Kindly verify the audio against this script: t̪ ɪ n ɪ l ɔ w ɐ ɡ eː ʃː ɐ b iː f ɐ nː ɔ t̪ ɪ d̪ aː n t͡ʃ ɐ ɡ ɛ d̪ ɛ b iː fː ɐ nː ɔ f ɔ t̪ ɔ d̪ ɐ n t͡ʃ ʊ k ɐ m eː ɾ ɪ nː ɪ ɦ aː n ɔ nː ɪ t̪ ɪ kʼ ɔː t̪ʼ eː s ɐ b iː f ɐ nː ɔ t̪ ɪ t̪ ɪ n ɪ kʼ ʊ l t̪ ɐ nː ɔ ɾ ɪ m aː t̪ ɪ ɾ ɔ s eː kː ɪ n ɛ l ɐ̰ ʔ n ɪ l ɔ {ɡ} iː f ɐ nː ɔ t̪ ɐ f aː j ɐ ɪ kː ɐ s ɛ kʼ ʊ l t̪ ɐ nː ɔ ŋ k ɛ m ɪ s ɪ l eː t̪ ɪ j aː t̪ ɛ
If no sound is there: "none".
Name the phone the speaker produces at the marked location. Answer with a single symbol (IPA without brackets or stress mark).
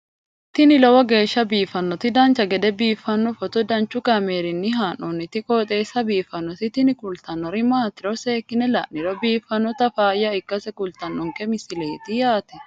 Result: b